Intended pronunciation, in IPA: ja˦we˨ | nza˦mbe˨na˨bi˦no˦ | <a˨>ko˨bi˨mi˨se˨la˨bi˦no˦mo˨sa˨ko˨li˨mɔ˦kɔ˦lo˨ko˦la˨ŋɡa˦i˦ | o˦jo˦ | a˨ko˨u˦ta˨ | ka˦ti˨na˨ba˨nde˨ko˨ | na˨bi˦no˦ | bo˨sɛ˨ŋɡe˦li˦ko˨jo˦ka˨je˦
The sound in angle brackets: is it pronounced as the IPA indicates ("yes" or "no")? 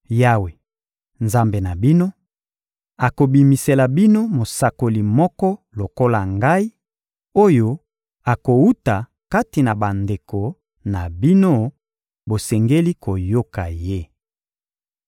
yes